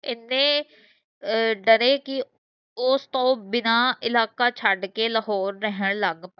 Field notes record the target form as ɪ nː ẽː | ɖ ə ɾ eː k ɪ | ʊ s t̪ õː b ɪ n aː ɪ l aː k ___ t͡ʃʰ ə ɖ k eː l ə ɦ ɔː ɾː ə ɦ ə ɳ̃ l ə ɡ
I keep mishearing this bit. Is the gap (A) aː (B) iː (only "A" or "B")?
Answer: A